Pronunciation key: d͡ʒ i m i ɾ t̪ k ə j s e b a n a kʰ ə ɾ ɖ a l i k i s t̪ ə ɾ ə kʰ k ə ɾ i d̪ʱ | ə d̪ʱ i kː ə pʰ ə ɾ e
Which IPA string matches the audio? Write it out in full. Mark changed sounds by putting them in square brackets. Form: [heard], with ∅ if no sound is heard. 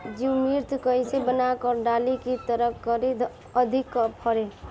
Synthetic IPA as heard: d͡ʒ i m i ɾ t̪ k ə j s e b [ə] n a [k] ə ɾ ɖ a l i k i [∅] t̪ ə ɾ ə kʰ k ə ɾ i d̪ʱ | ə d̪ʱ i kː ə pʰ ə ɾ e